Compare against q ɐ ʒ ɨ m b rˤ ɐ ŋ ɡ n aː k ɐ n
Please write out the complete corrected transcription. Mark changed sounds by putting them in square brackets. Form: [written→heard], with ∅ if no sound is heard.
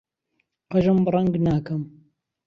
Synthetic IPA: q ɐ ʒ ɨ m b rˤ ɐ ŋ ɡ n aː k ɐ [n→m]

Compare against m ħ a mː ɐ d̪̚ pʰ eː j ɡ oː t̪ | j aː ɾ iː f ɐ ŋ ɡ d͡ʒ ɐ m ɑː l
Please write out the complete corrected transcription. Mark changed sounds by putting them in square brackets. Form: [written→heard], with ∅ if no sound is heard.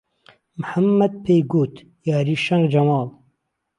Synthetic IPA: m ħ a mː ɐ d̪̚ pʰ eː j ɡ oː t̪ | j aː ɾ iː [f→ʃ] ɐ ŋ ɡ d͡ʒ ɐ m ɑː l

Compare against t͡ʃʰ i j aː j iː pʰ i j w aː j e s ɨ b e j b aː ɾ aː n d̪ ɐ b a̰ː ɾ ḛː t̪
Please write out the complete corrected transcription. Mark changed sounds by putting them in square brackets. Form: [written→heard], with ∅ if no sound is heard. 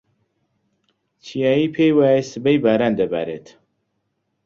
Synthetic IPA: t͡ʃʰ i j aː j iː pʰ [i→e] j w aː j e s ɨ b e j b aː ɾ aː n d̪ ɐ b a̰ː ɾ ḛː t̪

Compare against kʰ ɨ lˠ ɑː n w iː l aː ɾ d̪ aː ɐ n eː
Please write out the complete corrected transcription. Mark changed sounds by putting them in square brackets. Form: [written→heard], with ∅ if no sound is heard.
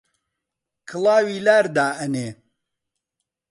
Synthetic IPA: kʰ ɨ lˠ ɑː [n→∅] w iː l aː ɾ d̪ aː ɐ n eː

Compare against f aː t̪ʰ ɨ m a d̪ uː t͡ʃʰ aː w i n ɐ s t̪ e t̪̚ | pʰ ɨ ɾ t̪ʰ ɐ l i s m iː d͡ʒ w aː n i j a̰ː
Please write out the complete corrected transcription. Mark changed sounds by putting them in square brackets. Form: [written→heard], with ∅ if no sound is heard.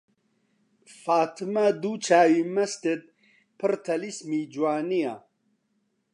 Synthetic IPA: f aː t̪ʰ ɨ m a d̪ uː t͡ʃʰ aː w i [n→m] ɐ s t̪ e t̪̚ | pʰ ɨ ɾ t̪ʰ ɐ l i s m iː d͡ʒ w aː n i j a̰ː

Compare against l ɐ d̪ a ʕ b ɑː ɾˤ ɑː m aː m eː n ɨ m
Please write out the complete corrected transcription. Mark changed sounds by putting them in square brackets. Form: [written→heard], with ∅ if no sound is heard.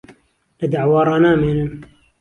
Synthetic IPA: l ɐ d̪ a ʕ [b→w] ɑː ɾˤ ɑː [m→n] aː m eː n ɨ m

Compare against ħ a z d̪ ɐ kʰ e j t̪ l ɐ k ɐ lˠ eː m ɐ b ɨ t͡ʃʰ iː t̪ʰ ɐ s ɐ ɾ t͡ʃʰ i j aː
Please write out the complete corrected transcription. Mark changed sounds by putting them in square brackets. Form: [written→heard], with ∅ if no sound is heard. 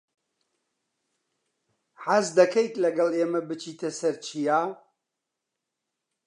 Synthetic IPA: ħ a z d̪ ɐ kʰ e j t̪ l ɐ [k→ɡ] ɐ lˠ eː m ɐ b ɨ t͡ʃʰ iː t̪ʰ ɐ s ɐ ɾ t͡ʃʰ i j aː

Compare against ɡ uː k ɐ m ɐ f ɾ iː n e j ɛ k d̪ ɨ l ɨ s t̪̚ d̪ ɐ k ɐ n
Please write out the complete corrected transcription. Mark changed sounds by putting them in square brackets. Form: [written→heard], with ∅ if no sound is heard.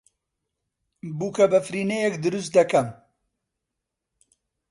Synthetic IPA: [ɡ→b] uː k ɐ [m→b] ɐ f ɾ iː n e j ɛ k d̪ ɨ [l→ɾ] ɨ s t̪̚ d̪ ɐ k ɐ [n→m]

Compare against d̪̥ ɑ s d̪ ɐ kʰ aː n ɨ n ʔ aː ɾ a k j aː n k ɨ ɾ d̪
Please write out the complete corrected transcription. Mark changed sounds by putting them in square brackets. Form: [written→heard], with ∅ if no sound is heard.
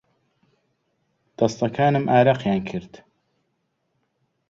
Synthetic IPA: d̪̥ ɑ s [d̪→t̪] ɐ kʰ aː n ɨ [n→m] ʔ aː ɾ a [k→q] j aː n [k→kʰ] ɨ ɾ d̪

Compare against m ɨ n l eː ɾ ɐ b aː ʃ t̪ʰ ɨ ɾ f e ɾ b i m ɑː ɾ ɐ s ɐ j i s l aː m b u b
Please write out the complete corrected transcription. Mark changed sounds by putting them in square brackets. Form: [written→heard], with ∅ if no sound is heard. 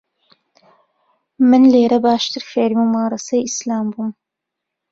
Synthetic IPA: m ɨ n l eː ɾ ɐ b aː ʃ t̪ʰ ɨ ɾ f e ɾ [b→m] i m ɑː ɾ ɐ s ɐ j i s l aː m b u [b→m]

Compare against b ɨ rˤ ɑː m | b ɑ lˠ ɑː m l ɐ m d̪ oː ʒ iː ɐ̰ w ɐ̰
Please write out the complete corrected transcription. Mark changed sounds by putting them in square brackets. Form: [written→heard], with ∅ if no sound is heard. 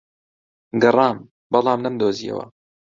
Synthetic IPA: [b→ɡ] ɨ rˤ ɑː m | b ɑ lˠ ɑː m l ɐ m d̪ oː [ʒ→z] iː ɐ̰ w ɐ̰

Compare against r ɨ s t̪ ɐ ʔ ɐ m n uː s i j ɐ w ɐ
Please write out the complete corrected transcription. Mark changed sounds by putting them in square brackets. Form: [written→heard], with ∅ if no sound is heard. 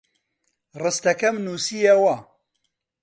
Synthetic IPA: r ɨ s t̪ ɐ [ʔ→k] ɐ m n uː s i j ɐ w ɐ

